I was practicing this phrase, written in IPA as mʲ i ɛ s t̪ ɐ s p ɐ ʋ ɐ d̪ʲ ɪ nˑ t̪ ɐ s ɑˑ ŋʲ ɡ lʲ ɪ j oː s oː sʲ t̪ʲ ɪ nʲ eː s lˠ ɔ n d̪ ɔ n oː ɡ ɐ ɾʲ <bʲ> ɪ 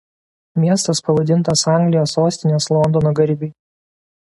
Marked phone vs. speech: correct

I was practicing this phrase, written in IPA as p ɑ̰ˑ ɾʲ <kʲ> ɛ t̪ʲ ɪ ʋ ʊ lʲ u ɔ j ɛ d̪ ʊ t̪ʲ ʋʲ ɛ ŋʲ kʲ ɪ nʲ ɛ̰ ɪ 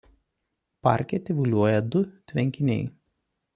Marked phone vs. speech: correct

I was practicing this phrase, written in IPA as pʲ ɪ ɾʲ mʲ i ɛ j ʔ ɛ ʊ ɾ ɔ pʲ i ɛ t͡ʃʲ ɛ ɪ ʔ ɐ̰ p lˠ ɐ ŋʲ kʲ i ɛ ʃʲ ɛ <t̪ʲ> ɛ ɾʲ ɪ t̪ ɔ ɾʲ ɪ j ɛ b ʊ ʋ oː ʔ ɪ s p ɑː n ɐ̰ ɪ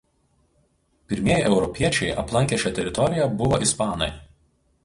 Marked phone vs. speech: correct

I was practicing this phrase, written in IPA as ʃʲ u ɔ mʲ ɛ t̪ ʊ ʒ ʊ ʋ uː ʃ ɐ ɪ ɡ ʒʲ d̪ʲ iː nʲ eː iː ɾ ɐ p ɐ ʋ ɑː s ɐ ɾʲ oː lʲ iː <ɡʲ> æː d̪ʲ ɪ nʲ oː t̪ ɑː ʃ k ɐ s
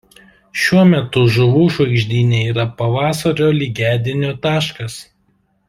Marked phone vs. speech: correct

